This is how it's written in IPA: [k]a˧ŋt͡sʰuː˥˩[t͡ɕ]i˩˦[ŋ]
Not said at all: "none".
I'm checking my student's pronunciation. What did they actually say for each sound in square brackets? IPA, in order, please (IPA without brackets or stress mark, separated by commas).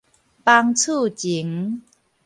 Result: p, t͡ɕ, ŋ